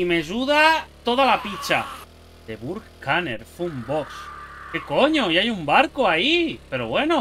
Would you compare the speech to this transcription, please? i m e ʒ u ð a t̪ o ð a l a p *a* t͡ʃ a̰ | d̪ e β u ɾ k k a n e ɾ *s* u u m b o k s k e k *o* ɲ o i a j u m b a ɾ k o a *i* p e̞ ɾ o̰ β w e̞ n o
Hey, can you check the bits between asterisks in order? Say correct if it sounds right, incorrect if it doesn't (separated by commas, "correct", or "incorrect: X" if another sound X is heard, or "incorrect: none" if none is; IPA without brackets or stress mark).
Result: incorrect: i, incorrect: f, correct, correct